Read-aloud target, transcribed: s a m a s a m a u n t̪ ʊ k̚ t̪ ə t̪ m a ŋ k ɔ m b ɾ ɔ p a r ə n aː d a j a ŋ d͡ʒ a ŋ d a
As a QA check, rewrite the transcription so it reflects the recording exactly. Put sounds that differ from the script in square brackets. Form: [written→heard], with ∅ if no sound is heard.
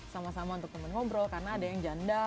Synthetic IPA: s a m a s a m a u n t̪ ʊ k̚ t̪ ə [t̪→∅] m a [ŋ→n] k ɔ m b ɾ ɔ [p→k] a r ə n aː d a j a ŋ d͡ʒ a [ŋ→n] d a